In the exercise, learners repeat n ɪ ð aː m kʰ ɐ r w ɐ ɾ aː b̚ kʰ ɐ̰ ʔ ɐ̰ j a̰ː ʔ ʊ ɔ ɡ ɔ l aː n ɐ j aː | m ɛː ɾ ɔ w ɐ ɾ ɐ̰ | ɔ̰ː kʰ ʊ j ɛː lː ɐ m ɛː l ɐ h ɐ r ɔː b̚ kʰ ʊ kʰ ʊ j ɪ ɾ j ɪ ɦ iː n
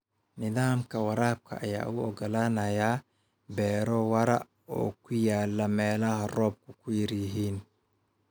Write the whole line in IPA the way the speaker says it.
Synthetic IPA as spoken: n ɪ ð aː m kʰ ɐ w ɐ ɾ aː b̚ kʰ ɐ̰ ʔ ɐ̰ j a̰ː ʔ ʊ ɔ ɡ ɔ l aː n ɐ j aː | b ɛː ɾ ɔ w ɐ ɾ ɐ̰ | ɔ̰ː kʰ ʊ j aː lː ɐ m ɛː l ɐ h ɐ r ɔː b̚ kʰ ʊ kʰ ʊ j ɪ ɾ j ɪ ɦ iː n